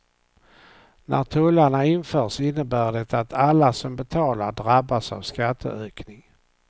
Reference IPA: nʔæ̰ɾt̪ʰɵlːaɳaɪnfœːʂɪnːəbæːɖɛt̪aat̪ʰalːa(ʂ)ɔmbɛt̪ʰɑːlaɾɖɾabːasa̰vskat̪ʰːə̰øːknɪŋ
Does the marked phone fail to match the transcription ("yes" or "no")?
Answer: yes